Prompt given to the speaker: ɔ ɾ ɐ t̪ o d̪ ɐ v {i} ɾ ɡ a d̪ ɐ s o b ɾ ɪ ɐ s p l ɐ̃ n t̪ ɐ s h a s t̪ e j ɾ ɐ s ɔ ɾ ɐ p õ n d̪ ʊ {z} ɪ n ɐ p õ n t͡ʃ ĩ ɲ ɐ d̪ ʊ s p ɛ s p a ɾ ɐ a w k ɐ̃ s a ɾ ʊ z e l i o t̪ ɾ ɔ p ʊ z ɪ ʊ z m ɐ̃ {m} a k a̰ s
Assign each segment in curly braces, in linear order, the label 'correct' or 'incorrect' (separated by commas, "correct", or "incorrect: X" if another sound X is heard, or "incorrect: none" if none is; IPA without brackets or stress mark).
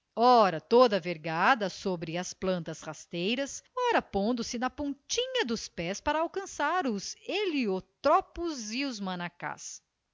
incorrect: e, incorrect: s, incorrect: n